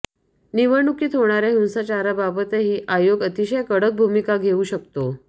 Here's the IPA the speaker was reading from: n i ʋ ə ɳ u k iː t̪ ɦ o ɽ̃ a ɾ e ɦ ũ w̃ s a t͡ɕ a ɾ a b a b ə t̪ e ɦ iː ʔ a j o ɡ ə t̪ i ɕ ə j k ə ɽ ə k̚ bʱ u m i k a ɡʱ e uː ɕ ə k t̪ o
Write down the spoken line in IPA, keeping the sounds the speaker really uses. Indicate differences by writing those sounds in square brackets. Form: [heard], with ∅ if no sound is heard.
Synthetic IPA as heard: n i ʋ ə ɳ u k iː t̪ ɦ o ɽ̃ a ɾ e ɦ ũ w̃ s a t͡ɕ a ɾ a b a b ə t̪ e ɦ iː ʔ a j o ɡ ə t̪ i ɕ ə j k ə ɽ ə k̚ bʱ u m i k a ɡʱ e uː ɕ ə k t̪ o